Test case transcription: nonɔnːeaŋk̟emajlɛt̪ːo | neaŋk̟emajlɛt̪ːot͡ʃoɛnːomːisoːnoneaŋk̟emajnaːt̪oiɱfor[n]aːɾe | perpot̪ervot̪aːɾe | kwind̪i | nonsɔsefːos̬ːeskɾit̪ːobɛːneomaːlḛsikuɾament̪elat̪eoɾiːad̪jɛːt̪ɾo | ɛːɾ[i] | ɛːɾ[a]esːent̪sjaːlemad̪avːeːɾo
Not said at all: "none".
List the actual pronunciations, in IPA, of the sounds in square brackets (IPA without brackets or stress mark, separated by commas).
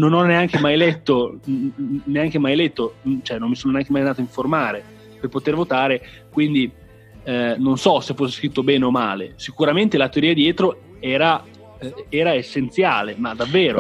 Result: m, a, a